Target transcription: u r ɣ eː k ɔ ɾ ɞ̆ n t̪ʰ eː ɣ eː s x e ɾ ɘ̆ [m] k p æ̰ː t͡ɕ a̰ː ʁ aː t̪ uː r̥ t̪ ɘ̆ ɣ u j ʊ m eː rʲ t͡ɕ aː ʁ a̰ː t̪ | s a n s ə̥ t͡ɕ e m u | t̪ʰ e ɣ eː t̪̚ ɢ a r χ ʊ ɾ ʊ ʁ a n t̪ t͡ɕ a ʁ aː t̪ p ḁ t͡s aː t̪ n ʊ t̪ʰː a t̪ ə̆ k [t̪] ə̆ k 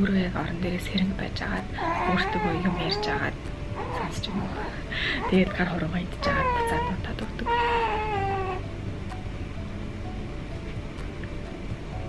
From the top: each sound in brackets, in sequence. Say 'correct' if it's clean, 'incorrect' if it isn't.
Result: incorrect: ŋ, correct

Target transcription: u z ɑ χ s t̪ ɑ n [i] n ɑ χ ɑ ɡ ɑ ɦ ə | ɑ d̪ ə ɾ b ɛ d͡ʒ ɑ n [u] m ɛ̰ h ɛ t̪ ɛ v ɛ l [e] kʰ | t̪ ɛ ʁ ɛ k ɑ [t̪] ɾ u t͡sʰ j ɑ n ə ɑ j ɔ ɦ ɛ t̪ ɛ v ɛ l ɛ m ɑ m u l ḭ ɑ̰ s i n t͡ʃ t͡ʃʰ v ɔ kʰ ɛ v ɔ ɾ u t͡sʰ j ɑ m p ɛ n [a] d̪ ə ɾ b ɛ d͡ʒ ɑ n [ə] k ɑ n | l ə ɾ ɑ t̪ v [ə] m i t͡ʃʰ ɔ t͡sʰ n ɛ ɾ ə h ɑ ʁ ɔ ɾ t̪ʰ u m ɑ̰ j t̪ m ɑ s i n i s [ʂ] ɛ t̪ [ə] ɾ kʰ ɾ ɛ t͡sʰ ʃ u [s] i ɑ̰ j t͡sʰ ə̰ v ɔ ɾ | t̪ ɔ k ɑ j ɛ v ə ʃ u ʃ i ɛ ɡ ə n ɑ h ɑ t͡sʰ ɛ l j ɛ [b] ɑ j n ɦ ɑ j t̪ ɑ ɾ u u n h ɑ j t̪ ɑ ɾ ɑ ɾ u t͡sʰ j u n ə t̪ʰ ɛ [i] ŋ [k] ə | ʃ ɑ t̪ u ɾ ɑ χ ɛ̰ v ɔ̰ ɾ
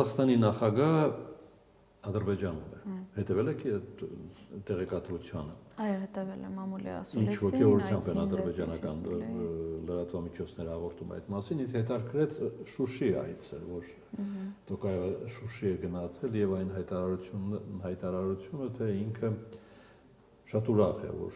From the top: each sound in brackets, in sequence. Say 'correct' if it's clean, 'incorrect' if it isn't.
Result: correct, correct, incorrect: ɛ, correct, incorrect: ɑ, incorrect: ɑ, incorrect: ɑ, incorrect: h, incorrect: ɑ, incorrect: ʃ, incorrect: v, correct, incorrect: kʰ

